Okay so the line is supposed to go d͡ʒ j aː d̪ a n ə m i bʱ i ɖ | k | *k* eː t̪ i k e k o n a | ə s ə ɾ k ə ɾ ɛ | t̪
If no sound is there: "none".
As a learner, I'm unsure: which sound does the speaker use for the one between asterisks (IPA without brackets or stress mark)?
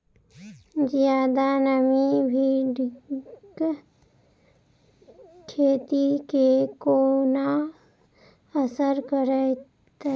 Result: kʰ